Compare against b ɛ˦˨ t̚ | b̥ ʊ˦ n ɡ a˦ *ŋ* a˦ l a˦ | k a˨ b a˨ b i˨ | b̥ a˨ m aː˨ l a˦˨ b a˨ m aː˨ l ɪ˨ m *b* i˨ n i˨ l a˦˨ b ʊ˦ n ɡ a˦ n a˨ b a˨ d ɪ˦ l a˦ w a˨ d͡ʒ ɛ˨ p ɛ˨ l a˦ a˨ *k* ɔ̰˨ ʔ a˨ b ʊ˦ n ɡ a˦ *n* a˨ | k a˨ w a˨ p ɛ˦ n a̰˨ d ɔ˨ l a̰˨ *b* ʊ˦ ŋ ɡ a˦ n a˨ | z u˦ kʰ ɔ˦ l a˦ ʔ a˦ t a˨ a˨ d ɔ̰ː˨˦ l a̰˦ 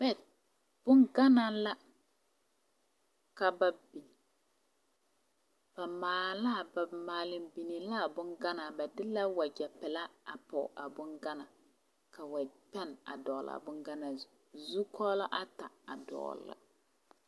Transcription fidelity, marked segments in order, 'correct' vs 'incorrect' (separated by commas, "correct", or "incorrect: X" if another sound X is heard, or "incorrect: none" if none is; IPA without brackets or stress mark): incorrect: n, correct, incorrect: p, correct, correct